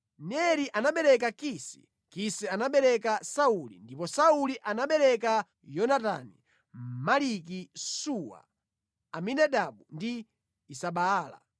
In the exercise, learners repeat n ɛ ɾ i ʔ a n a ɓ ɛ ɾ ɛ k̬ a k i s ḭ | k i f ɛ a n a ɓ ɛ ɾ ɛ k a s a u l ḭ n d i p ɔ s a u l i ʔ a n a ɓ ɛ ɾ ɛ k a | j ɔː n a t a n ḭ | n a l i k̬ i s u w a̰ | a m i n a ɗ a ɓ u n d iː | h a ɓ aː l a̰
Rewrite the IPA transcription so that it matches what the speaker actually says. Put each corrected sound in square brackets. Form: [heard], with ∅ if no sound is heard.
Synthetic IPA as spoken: n ɛ ɾ i ʔ a n a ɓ ɛ ɾ ɛ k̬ a k i s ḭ | k i [s] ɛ a n a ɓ ɛ ɾ ɛ k a s a u l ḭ n d i p ɔ s a u l i ʔ a n a ɓ ɛ ɾ ɛ k a | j [ɔ] n a t a n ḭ | [m] a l i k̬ i s u w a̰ | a m i n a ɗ a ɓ u n d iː | [s] a ɓ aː l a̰